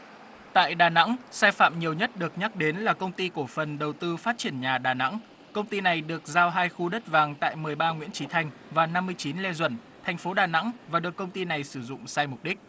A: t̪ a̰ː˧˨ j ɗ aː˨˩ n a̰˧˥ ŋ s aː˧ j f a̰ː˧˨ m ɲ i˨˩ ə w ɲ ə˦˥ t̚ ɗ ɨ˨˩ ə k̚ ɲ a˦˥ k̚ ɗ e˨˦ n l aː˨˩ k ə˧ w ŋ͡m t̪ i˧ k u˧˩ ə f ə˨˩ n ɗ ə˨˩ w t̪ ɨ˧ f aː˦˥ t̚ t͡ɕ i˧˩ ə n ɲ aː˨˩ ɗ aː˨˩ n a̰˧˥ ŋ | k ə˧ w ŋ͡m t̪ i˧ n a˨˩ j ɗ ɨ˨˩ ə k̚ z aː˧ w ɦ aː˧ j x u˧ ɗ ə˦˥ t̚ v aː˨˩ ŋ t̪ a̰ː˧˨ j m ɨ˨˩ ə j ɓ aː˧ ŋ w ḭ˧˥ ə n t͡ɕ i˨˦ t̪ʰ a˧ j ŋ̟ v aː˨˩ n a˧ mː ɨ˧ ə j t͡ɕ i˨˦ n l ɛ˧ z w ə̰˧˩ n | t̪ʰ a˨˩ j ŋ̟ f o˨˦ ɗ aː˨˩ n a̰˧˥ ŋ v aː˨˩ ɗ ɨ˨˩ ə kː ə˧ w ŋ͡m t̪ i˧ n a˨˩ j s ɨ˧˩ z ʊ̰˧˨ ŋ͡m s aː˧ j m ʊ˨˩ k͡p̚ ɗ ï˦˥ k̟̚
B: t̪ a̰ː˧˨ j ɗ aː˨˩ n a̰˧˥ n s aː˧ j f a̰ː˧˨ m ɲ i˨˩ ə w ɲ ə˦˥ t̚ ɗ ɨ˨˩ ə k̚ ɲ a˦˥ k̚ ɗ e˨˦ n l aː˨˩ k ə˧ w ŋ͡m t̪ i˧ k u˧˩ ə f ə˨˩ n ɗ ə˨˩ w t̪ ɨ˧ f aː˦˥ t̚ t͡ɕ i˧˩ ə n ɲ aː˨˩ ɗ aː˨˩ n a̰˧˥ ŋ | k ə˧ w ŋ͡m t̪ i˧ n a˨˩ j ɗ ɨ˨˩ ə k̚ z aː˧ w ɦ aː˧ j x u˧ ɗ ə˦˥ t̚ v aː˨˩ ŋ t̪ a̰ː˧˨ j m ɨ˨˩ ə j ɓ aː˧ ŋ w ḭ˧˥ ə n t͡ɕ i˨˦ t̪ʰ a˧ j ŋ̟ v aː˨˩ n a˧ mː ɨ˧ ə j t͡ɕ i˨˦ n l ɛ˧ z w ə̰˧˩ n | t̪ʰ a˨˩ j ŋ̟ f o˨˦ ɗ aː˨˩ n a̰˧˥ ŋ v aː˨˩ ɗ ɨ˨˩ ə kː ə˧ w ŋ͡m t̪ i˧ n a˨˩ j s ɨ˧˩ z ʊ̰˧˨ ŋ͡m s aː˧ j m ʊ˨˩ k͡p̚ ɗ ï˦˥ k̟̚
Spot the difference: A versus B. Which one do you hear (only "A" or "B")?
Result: A